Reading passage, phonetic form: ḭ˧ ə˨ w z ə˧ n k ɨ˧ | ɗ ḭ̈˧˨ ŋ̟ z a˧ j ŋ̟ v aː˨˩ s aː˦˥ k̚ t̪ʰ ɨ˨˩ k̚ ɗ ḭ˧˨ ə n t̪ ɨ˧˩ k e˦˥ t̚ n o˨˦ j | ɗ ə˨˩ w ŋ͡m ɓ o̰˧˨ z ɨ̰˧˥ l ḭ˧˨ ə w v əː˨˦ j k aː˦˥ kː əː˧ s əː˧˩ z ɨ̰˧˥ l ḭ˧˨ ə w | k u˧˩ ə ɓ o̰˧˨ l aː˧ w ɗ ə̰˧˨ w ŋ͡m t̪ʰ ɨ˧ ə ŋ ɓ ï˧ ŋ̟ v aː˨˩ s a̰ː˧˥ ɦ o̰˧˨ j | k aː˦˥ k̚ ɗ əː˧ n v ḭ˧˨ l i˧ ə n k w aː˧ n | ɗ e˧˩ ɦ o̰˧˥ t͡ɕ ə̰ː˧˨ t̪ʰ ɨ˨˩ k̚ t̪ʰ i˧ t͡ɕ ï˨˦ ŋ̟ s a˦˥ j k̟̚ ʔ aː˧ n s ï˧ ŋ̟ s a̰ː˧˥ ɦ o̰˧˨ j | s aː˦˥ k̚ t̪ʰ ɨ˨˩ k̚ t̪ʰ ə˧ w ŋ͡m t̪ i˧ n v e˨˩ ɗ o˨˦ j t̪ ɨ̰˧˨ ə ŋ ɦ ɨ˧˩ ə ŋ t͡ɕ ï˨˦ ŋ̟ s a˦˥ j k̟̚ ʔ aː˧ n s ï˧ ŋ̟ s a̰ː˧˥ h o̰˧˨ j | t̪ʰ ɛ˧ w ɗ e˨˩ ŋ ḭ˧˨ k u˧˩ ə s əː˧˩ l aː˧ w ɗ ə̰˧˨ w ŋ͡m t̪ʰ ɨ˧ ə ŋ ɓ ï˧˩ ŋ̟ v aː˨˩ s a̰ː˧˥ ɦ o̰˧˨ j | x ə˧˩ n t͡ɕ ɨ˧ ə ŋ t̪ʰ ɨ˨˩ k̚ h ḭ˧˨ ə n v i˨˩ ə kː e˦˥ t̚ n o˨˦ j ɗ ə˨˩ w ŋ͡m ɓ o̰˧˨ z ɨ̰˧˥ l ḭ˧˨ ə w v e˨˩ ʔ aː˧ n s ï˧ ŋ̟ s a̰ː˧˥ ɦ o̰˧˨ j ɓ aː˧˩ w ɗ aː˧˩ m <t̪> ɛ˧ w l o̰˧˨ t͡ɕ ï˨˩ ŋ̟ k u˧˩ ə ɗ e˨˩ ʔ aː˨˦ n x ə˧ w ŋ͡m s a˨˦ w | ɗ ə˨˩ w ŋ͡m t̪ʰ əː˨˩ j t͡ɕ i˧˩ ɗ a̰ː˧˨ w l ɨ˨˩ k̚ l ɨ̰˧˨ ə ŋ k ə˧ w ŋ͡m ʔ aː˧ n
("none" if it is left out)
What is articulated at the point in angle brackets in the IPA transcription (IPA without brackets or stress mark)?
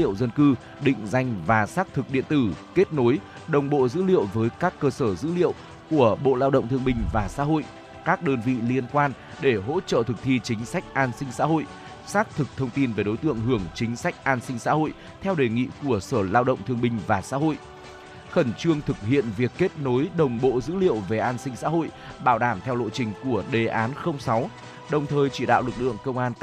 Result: t̪ʰ